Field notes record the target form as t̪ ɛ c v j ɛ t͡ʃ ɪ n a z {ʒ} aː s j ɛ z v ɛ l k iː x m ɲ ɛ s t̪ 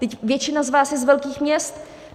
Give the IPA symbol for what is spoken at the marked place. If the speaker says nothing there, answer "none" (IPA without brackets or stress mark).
v